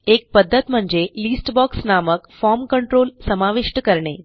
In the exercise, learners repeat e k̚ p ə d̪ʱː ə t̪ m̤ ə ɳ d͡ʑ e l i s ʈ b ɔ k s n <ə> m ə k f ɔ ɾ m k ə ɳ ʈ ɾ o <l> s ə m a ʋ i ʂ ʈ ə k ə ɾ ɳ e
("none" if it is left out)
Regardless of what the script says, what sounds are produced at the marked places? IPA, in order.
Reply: a, l

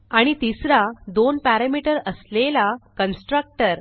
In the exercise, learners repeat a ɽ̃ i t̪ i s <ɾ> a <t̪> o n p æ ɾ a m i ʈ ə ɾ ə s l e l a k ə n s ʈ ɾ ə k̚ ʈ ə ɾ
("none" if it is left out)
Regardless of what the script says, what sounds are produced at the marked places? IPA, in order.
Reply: ɾ, d̪

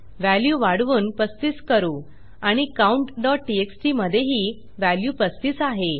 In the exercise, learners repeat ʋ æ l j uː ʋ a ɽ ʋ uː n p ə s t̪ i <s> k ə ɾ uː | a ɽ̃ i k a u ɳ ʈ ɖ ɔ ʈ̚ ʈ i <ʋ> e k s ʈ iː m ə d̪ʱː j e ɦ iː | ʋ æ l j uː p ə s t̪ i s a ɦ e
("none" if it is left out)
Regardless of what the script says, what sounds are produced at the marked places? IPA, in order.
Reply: s, none

